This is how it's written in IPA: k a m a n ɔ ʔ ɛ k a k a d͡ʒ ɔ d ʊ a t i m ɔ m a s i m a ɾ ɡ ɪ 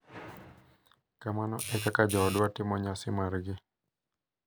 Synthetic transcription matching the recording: k a m a n ɔ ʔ ɛ k a k a d͡ʒ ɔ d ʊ a t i m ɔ ɲ a s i m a ɾ ɡ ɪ